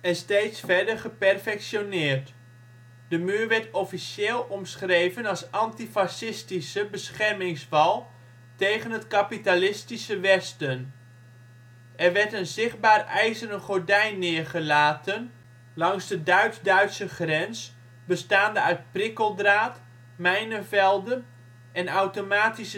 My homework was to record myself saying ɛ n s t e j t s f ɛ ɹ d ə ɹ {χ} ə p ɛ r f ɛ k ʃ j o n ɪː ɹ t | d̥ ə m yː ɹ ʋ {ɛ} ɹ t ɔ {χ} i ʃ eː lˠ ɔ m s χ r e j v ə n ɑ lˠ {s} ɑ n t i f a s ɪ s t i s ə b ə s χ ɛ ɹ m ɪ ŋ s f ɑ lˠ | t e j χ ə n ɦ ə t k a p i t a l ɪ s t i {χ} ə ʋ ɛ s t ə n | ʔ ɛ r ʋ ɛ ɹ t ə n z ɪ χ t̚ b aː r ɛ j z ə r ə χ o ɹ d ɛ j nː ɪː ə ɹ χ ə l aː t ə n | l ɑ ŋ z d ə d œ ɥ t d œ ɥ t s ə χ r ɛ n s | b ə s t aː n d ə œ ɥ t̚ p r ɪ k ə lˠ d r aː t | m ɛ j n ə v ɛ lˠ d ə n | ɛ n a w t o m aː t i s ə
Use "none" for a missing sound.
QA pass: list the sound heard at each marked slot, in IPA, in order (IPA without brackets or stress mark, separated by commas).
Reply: χ, ɛ, f, s, s